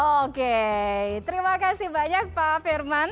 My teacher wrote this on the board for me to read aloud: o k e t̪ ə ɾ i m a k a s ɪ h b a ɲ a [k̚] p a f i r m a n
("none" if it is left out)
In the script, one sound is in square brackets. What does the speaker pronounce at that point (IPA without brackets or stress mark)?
k̚